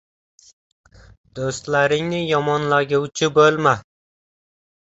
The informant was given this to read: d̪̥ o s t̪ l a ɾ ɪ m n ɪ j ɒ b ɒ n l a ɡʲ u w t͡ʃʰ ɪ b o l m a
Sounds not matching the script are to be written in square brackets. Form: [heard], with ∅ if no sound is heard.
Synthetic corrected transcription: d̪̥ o s t̪ l a ɾ ɪ [ŋ] n ɪ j ɒ [m] ɒ n l a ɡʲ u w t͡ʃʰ ɪ b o l m a